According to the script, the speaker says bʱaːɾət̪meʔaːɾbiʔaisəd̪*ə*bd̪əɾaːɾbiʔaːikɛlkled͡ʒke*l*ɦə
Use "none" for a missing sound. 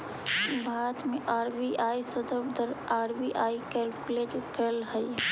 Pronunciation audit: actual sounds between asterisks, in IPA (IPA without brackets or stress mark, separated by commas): ə, l